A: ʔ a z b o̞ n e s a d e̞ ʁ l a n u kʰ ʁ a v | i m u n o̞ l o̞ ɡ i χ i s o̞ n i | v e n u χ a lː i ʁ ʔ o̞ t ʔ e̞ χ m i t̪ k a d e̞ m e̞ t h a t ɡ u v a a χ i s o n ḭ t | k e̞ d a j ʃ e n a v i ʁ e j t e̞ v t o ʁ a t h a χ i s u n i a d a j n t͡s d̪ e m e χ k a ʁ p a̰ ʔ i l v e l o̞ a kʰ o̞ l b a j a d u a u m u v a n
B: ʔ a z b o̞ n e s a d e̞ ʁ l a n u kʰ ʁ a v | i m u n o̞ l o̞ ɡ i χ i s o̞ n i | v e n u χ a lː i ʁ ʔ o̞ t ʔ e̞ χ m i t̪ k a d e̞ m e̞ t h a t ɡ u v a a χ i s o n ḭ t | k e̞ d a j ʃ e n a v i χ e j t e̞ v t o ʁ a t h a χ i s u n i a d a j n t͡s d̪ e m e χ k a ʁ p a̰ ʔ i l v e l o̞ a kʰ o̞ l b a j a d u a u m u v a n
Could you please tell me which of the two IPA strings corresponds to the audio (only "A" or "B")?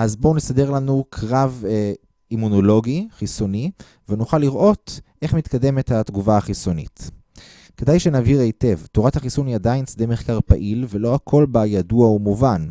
A